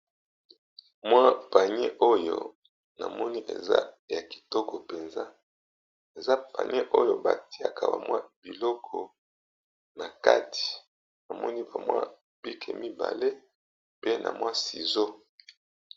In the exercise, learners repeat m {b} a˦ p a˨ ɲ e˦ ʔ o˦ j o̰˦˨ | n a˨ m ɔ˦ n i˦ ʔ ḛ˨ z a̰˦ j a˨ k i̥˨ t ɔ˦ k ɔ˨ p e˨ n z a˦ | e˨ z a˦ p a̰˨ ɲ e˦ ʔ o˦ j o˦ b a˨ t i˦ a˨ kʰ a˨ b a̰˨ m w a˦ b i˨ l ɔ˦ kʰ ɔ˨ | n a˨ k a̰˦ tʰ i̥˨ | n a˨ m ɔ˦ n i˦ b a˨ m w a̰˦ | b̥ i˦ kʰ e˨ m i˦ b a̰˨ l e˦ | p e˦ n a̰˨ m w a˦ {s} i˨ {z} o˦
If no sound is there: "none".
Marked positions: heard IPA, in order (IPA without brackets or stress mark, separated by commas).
w, s, z